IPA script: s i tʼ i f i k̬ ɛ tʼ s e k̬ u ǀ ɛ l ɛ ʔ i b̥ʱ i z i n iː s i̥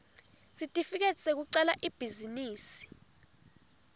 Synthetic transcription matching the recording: s i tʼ i f i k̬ ɛ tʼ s e k̬ u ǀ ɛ l a ʔ i b̥ʱ i z i n iː s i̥